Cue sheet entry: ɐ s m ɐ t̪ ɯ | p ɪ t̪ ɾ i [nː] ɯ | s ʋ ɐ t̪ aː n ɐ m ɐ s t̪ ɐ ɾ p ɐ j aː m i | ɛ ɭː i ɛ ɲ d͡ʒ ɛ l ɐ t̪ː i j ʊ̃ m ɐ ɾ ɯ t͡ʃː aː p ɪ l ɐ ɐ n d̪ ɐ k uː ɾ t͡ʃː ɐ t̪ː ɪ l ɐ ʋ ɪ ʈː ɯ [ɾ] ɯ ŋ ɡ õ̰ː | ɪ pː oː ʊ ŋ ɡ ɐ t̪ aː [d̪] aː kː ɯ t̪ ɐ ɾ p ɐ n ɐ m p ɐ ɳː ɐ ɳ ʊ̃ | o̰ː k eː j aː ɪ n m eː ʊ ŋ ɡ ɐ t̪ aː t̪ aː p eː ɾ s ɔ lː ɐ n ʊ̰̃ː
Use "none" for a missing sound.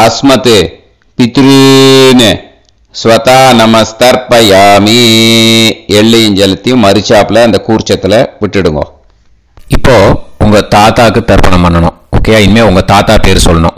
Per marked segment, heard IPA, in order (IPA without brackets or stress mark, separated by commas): n, ɽ, t̪